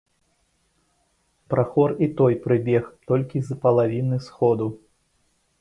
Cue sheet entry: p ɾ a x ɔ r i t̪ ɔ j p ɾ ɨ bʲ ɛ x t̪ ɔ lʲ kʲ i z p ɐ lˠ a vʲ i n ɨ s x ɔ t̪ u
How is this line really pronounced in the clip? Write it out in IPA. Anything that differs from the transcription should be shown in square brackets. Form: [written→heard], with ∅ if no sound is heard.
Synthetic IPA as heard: p ɾ a x ɔ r i t̪ ɔ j p ɾ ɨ bʲ ɛ x t̪ ɔ lʲ kʲ i z p ɐ lˠ a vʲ i n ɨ s x ɔ [t̪→d̪] u